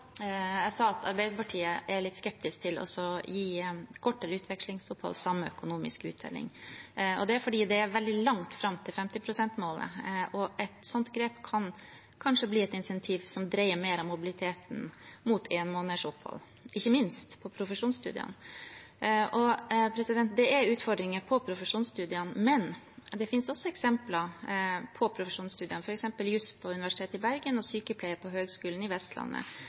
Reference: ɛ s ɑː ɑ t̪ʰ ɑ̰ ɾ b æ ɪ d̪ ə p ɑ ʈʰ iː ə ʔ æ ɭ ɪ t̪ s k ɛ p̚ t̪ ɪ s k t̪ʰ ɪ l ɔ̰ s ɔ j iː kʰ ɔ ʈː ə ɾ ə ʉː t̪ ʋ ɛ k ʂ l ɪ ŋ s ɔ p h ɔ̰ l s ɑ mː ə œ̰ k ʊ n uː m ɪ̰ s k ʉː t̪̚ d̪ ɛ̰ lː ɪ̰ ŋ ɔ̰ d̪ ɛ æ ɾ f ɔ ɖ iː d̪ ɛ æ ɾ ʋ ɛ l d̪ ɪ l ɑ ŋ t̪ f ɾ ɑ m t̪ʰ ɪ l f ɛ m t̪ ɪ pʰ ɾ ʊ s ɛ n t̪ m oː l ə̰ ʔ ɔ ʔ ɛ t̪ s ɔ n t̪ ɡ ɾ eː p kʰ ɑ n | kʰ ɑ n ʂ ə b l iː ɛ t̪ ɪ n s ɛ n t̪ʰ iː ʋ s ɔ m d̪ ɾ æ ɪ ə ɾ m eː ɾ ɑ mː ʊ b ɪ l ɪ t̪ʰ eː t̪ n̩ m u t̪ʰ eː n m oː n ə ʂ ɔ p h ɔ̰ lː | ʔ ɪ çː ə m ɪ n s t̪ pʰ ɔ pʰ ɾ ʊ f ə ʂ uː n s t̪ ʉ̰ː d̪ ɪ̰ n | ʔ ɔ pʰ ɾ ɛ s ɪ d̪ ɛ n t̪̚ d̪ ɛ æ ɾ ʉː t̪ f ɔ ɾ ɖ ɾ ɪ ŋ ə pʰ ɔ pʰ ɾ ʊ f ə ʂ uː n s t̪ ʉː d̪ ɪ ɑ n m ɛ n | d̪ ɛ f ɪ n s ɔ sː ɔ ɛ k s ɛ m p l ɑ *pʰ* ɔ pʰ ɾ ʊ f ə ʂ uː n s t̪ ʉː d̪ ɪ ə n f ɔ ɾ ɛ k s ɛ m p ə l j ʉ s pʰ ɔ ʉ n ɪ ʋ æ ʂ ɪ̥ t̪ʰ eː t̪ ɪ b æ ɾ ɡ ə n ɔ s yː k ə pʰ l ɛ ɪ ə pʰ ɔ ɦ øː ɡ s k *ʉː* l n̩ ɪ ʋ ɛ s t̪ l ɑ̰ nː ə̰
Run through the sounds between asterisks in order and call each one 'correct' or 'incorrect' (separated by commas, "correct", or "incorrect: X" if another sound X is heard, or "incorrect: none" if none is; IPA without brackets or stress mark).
correct, correct